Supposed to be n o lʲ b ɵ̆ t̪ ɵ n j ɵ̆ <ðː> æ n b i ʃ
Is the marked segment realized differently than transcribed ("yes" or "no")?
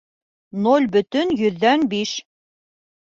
no